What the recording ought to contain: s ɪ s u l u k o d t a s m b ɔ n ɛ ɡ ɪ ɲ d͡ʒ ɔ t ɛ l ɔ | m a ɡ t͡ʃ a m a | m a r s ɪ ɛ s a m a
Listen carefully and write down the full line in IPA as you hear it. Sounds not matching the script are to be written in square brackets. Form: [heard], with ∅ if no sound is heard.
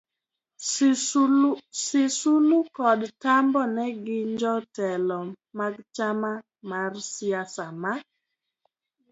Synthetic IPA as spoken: s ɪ s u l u k [ɔ] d t a [∅] m b ɔ n ɛ ɡ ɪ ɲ d͡ʒ ɔ t ɛ l ɔ | m a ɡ t͡ʃ a m a | m a r s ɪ [a] s a m a